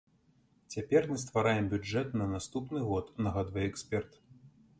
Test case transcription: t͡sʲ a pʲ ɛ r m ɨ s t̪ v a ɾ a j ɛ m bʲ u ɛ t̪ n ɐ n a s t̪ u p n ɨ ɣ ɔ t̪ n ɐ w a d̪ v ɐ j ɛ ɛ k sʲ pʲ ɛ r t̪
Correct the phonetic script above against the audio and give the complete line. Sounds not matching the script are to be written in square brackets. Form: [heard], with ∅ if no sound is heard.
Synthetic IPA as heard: t͡sʲ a pʲ ɛ r m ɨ s t̪ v a ɾ a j ɛ m bʲ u ɛ t̪ n ɐ n a s t̪ u p n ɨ ɣ ɔ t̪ n ɐ [ɣ] a d̪ v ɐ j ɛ ɛ k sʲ pʲ ɛ r t̪